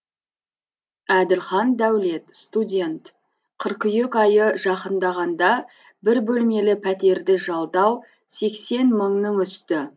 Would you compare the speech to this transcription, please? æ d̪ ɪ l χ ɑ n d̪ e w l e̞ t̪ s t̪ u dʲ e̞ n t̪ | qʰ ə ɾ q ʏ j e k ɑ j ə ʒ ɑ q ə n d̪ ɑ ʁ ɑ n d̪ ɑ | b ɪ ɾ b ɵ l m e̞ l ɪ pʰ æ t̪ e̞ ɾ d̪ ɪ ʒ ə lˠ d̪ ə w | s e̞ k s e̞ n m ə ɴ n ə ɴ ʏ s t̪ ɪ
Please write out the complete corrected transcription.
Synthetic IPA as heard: æ d̪ ɪ l χ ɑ n d̪ æ w l e̞ t̪ s t̪ u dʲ e̞ n t̪ | qʰ ə ɾ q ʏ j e k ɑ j ə ʒ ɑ q ə n d̪ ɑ ʁ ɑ n d̪ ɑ | b ɪ ɾ b ɵ l m e̞ l ɪ pʰ æ t̪ e̞ ɾ d̪ ɪ ʒ ɑ lˠ d̪ ɑ w | s e̞ k s e̞ n m ə ɴ n ə ɴ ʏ s t̪ ɪ

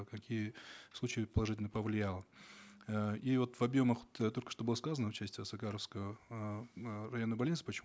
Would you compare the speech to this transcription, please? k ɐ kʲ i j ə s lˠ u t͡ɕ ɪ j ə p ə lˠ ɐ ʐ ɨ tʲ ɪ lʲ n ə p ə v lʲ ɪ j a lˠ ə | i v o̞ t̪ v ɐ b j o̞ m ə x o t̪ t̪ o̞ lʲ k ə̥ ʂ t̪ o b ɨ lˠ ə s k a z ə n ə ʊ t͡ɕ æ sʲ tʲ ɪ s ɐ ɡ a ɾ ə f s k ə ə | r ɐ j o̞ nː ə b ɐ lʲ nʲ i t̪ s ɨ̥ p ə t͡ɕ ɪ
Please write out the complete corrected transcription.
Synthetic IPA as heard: k ɐ kʲ i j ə s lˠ u t͡ɕ ɪ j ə p ə lˠ ɐ ʐ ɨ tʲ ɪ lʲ n ə p ə v lʲ ɪ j a lˠ ə | i v o̞ t̪ v ɐ b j o̞ m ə x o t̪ t̪ o̞ lʲ k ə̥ ʂ t̪ o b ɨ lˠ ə s k a z ə n ə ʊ t͡ɕ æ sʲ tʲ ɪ s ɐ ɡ a ɾ ə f s k ə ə | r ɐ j o̞ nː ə b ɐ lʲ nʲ i t̪ s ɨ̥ p ə t͡ɕ ɪ

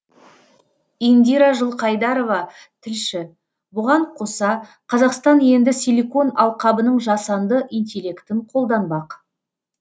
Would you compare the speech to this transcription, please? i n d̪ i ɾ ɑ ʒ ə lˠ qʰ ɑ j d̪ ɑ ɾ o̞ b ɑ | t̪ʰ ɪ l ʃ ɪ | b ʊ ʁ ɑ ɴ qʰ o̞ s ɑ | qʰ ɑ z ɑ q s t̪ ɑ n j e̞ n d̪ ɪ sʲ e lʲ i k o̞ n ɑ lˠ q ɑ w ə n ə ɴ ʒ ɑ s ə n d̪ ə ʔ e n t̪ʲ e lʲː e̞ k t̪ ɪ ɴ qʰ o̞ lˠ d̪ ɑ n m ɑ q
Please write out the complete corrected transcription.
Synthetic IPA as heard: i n d̪ i ɾ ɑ ʒ ə lˠ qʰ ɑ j d̪ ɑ ɾ o̞ v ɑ | t̪ʰ ɪ l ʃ ɪ | b ʊ ʁ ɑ ɴ qʰ o̞ s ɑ | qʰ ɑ z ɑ q s t̪ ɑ n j e̞ n d̪ ɪ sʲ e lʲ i k o̞ n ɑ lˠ q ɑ b ə n ə ɴ ʒ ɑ s ɑ n d̪ ə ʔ i n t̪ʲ e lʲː e̞ k t̪ ɪ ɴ qʰ o̞ lˠ d̪ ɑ n b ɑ q

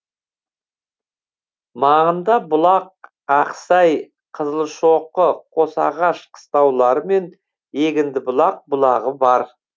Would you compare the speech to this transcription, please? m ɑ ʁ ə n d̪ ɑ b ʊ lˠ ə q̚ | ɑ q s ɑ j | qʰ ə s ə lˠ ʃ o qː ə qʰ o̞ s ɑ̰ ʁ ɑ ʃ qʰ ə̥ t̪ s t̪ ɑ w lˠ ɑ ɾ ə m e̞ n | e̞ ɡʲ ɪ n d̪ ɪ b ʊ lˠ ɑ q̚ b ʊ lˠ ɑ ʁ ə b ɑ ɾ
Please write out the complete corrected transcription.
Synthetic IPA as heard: m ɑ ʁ ə n d̪ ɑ b ʊ lˠ ɑ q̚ | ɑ q s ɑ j | qʰ ə z ə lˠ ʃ o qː ə qʰ o̞ s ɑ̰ ʁ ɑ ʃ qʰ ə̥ s t̪ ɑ w lˠ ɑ ɾ ə m e̞ n | e̞ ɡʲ ɪ n d̪ ɪ b ʊ lˠ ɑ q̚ b ʊ lˠ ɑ ʁ ə b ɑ ɾ

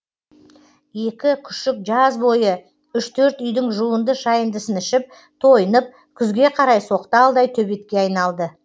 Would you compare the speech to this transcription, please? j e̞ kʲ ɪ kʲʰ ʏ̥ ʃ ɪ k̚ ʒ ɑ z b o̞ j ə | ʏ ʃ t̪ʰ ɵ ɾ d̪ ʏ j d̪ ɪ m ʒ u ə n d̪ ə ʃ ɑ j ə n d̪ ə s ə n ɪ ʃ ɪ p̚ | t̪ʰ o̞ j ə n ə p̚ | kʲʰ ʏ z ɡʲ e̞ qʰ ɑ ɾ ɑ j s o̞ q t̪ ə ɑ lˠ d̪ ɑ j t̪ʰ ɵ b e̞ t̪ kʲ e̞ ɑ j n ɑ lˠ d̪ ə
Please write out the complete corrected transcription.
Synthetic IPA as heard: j e̞ kʲ ɪ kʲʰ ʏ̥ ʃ ɪ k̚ ʒ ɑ z b o̞ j ə | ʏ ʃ t̪ʰ ɵ ɾ t̪ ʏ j d̪ ɪ ŋ ʒ u ə n d̪ ə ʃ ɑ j ə n d̪ ə s ə n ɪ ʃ ɪ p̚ | t̪ʰ o̞ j ə n ə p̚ | kʲʰ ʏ z ɡʲ e̞ qʰ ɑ ɾ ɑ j s o̞ q t̪ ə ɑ lˠ d̪ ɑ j t̪ʰ ɵ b e̞ t̪ kʲ e̞ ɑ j n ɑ lˠ d̪ ə

